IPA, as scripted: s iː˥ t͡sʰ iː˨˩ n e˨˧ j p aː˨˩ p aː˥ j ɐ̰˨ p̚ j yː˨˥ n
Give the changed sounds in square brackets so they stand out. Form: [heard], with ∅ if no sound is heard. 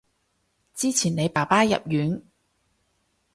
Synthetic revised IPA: [t͡s] iː˥ t͡sʰ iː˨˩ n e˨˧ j p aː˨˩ p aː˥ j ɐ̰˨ p̚ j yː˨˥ n